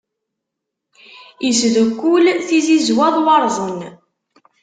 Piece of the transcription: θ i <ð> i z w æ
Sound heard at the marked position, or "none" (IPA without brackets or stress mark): z